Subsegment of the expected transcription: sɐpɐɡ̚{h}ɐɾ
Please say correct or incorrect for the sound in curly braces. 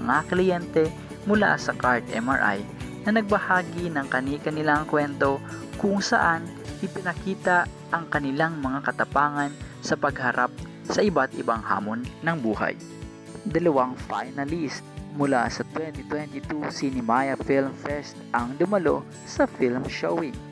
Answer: correct